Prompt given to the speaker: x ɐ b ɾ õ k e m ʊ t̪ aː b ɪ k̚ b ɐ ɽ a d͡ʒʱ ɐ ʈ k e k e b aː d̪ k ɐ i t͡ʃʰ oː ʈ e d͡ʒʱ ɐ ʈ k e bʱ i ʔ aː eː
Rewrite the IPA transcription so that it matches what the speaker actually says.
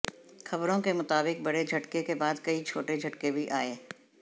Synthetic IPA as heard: x ɐ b ɾ õ k e m ʊ t̪ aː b ɪ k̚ b ɐ ɽ e d͡ʒʱ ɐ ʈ k e k e b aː d̪ k ɐ i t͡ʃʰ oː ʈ e d͡ʒʱ ɐ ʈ k e bʱ i ʔ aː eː